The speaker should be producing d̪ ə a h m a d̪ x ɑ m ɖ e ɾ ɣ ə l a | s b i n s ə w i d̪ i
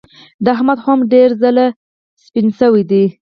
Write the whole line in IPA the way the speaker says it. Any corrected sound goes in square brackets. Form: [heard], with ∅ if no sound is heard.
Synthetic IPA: d̪ ə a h m a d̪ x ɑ m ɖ e ɾ [z] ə l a | s [p] i n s ə w i d̪ i